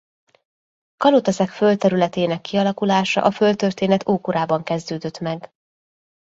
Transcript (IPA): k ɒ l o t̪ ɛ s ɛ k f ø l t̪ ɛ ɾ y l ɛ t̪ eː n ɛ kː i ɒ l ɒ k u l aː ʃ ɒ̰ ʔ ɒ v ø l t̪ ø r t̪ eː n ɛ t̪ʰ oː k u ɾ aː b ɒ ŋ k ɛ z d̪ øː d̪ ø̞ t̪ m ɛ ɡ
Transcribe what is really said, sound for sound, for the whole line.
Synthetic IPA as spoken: k ɒ l o t̪ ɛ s ɛ k f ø l t̪ ɛ ɾ y l ɛ t̪ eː n ɛ kː i ɒ l ɒ k u l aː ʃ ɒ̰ ʔ ɒ f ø l t̪ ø r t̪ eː n ɛ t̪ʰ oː k u ɾ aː b ɒ ŋ k ɛ z d̪ øː d̪ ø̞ t̪ m ɛ ɡ